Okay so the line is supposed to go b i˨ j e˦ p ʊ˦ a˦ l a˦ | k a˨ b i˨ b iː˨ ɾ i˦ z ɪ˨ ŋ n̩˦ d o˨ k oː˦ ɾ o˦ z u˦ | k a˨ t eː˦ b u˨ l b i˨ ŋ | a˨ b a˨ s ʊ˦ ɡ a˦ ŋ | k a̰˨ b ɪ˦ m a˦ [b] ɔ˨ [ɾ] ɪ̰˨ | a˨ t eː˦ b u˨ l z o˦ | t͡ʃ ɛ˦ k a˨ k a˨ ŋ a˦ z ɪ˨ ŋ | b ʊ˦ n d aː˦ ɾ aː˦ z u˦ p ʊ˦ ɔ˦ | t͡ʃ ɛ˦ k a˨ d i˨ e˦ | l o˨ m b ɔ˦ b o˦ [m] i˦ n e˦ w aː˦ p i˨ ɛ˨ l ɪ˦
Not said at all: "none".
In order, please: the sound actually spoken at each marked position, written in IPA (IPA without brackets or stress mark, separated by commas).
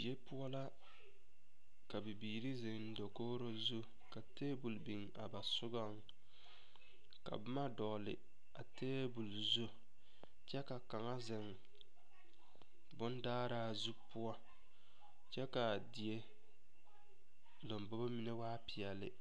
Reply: d, l, m